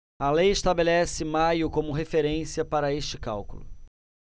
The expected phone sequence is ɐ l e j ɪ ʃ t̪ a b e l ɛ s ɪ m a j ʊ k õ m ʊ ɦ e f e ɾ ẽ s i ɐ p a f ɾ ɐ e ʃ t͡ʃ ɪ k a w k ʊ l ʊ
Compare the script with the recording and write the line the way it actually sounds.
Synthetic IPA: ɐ l e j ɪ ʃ t̪ a b e l ɛ s ɪ m a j ʊ k õ m ʊ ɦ e f e ɾ ẽ s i ɐ p a ɾ ɐ e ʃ t͡ʃ ɪ k a w k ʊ l ʊ